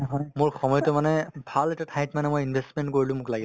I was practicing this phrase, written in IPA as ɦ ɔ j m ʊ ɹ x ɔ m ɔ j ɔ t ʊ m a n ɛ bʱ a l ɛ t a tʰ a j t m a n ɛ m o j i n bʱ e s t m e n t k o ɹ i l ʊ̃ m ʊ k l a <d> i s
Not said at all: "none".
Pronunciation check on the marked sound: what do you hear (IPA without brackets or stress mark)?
ɡ